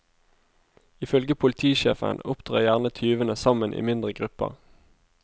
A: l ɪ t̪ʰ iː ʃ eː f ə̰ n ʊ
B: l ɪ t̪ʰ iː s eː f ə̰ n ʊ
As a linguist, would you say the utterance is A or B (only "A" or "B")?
A